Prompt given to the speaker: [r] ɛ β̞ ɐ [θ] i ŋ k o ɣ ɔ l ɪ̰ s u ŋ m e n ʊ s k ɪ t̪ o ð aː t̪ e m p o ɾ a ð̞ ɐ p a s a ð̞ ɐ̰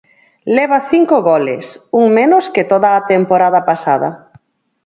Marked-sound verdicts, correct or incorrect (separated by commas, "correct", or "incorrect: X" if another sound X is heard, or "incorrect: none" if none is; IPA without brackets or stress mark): incorrect: l, correct